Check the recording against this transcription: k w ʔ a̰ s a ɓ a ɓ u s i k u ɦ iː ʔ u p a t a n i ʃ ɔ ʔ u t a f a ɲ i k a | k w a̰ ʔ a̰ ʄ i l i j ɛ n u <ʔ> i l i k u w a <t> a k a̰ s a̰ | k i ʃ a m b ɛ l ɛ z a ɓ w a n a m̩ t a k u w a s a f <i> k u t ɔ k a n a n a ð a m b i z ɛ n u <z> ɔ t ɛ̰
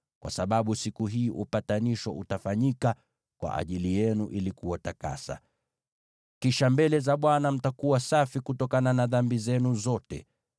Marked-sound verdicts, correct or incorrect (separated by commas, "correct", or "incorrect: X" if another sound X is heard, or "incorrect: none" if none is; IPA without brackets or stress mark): correct, correct, correct, correct